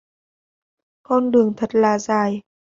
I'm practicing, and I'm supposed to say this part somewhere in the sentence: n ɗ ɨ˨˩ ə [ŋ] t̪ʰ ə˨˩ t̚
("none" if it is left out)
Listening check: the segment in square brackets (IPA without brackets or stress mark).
ŋ